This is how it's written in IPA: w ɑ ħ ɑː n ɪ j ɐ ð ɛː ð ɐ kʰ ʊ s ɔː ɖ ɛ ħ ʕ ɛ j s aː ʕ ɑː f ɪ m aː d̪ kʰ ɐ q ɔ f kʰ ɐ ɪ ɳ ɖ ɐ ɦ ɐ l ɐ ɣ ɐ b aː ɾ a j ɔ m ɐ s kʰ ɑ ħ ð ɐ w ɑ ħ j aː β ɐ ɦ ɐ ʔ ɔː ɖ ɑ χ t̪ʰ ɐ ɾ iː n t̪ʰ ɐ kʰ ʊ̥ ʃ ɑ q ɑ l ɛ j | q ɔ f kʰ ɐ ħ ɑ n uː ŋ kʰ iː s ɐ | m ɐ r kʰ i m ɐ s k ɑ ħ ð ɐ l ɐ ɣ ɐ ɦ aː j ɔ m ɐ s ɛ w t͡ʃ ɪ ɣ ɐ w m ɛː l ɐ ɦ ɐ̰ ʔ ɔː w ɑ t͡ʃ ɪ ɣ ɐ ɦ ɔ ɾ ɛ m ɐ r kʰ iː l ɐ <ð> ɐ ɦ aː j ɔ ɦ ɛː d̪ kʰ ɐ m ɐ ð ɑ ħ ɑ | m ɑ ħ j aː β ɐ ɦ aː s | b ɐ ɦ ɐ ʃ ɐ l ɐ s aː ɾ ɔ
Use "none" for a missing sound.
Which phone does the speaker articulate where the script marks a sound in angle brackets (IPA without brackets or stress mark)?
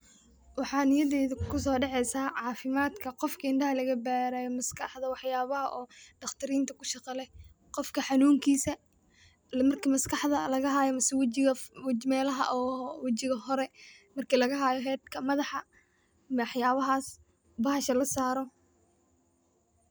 ɣ